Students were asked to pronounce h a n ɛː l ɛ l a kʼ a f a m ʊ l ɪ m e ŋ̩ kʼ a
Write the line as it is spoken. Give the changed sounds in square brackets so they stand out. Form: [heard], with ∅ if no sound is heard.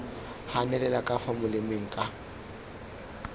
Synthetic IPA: h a n [ɛ] l ɛ l a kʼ a f a m ʊ l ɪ m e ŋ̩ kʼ a